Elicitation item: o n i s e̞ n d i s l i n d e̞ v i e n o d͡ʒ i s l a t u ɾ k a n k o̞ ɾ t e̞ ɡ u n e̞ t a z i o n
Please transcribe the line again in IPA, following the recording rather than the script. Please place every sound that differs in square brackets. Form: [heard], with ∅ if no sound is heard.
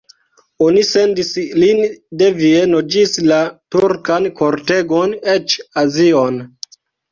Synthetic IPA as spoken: o n i s e̞ n d i s l i n d e̞ v i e n o d͡ʒ i s l a t u ɾ k a n k o̞ ɾ t e̞ ɡ [o] n e̞ [t͡ʃ] a z i o n